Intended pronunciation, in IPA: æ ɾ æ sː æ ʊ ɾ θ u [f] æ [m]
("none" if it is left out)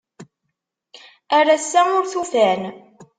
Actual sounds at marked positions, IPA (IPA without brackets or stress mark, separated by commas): f, n